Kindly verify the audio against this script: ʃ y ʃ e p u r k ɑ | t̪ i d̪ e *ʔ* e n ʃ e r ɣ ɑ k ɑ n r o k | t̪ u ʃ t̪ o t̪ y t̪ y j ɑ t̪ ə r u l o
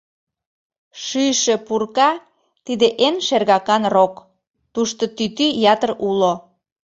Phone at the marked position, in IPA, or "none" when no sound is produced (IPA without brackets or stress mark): ʔ